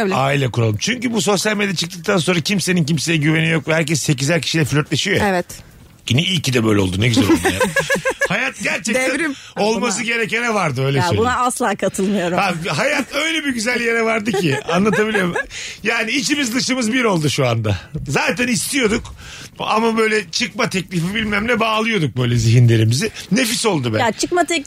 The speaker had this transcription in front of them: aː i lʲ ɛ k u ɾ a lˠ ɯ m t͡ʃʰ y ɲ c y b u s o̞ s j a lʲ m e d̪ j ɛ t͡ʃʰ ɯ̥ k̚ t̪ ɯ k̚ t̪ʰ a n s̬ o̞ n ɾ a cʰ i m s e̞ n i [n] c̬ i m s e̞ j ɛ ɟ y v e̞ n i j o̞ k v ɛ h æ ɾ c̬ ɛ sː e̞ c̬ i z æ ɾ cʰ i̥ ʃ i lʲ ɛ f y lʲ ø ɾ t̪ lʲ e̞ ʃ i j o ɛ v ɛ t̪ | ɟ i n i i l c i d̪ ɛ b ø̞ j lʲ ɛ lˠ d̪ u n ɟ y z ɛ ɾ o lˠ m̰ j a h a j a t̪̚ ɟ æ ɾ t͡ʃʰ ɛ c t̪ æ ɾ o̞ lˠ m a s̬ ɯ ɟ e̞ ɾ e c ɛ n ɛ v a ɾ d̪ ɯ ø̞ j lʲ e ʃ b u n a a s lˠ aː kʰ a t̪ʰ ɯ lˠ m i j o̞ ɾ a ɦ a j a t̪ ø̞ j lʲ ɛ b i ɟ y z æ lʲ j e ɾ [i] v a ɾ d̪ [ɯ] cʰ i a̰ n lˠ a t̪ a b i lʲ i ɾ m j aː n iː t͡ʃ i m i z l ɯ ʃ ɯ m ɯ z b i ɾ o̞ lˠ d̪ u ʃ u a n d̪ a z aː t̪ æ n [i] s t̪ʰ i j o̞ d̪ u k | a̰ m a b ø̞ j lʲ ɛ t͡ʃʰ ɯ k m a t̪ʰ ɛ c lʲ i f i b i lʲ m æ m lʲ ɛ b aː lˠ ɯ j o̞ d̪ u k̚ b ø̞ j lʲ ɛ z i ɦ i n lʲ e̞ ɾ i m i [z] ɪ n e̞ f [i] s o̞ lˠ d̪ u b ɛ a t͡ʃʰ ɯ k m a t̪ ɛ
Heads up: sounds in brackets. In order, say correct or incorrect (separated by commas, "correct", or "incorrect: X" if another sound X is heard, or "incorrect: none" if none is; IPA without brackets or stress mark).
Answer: correct, incorrect: ɛ, correct, correct, correct, correct